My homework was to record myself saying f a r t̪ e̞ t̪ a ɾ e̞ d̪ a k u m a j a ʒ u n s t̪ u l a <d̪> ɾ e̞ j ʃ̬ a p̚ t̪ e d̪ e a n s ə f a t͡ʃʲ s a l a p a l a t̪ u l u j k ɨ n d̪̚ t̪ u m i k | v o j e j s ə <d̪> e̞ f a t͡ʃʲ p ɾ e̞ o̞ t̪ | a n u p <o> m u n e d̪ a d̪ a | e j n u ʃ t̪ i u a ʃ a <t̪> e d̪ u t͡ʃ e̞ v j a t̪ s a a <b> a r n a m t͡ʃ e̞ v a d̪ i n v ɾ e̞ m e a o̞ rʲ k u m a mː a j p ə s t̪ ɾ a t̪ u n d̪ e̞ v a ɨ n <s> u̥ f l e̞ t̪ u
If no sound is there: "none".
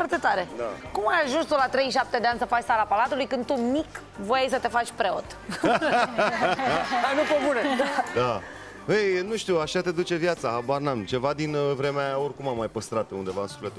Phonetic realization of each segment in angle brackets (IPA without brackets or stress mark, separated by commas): t̪, t̪, o, t̪, b, s